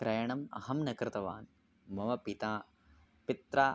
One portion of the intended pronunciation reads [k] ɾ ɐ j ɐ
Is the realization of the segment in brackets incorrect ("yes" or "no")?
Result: no